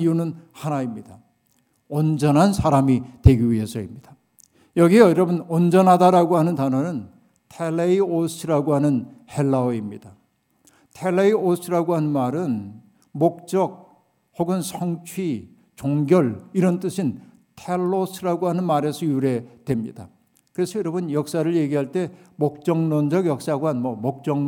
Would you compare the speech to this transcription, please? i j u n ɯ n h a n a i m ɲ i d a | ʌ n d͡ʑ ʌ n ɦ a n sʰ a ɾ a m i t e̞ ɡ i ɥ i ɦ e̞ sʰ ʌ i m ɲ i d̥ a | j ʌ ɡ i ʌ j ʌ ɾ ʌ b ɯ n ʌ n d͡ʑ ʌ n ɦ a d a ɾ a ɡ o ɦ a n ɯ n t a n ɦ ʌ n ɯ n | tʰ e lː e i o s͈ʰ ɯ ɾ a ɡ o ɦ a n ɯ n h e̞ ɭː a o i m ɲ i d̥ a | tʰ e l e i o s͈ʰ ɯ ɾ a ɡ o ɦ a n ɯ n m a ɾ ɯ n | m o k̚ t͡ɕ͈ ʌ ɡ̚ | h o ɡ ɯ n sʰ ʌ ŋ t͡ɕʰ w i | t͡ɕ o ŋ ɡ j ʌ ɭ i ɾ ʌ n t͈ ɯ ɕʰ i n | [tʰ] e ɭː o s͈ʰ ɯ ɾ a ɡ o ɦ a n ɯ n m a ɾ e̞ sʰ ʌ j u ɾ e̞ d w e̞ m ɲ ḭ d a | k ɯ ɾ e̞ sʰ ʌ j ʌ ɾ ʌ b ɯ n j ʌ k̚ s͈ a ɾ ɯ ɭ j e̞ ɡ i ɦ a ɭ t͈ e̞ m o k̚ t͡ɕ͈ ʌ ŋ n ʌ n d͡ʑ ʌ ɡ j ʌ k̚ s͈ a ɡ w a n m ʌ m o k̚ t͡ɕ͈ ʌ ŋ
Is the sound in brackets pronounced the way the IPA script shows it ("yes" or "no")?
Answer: yes